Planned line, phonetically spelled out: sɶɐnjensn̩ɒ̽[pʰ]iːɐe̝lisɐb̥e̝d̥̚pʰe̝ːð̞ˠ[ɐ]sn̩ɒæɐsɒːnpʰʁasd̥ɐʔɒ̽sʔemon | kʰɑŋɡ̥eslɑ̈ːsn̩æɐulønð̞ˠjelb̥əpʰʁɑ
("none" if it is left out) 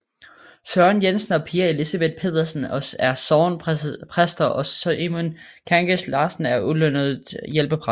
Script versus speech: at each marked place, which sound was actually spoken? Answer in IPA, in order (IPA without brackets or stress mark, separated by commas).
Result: pʰ, ɐ